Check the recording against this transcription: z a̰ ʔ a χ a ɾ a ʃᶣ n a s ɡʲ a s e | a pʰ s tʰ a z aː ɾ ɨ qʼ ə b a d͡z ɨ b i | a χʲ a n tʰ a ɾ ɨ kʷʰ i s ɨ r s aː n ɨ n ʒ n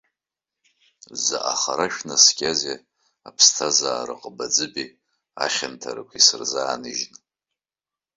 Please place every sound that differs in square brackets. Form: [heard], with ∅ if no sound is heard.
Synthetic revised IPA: z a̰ ʔ a χ a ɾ a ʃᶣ n a s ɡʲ a [z] e | a pʰ s tʰ a z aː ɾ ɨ qʼ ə b a d͡z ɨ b i | a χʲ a n tʰ a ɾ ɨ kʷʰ i s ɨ r [z] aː n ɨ [∅] ʒ n